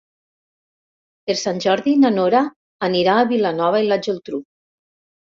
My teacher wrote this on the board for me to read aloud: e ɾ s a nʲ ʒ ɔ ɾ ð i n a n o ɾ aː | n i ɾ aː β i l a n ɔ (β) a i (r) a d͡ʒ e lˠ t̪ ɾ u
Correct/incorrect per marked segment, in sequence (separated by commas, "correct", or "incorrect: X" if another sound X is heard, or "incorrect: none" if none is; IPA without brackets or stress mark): correct, incorrect: l